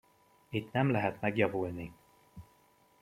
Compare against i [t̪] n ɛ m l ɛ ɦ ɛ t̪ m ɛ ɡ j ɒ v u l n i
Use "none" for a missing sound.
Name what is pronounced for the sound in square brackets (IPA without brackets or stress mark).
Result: t̪